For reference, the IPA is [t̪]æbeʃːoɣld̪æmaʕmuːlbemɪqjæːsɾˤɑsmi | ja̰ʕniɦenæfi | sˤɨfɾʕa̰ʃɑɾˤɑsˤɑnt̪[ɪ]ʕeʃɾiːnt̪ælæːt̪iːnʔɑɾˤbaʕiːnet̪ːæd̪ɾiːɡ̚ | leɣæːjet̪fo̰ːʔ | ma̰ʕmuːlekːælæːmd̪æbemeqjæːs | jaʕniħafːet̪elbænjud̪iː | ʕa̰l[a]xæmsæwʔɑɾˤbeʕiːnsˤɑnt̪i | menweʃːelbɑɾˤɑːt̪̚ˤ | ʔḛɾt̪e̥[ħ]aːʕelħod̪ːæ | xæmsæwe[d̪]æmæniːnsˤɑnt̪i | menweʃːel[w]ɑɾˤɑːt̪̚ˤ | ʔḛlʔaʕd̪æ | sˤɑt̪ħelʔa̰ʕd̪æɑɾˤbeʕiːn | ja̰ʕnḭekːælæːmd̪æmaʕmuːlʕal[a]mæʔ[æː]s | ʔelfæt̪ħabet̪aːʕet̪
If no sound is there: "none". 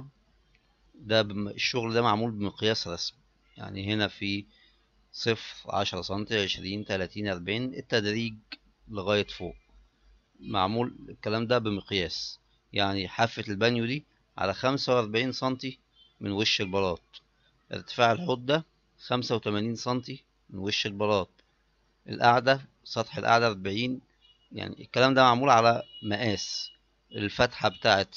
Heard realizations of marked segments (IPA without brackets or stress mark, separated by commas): d̪, i, æ, f, t̪, b, æ, æː